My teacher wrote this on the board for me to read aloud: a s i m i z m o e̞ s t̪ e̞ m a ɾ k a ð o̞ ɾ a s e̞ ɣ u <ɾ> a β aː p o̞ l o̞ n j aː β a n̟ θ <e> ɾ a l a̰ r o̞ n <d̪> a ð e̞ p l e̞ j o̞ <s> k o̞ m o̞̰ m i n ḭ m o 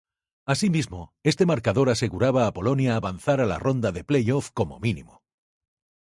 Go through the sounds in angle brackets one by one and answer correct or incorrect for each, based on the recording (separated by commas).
correct, incorrect, correct, incorrect